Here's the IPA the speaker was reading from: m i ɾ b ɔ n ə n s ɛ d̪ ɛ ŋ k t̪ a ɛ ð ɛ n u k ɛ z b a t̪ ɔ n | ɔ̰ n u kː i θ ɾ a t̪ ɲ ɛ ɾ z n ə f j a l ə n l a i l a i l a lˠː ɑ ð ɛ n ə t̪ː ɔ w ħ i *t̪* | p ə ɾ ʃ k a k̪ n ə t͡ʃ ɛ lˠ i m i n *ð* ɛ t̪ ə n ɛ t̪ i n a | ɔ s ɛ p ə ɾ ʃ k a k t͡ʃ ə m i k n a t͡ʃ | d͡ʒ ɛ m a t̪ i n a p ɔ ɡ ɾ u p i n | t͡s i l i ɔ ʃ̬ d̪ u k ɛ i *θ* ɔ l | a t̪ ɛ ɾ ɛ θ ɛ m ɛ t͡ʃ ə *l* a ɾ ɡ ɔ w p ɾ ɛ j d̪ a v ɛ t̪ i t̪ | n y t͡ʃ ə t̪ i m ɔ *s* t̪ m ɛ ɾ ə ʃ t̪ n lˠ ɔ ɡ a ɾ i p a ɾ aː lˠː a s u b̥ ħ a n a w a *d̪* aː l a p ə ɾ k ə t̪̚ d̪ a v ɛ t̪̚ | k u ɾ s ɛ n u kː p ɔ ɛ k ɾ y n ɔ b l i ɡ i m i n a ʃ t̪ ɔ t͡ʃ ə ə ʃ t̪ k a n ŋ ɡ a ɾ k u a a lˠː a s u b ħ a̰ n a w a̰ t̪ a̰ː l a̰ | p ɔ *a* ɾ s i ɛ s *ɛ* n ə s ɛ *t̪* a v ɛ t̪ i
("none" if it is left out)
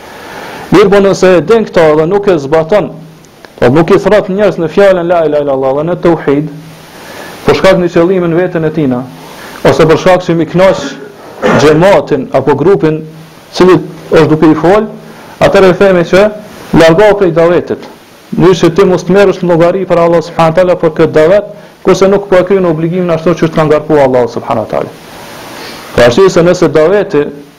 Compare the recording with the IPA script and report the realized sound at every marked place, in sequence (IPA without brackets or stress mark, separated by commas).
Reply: d̪, v, f, l, s, t̪, a, ɛ, d̪